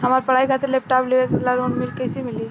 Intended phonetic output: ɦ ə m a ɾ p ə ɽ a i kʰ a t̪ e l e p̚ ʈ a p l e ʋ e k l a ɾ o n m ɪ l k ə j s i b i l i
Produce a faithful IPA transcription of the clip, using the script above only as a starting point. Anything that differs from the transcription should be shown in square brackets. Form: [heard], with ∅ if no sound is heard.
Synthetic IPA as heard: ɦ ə m a ɾ p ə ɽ a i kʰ a t̪ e l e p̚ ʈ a p l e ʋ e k l a ɾ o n m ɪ l k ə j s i [m] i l i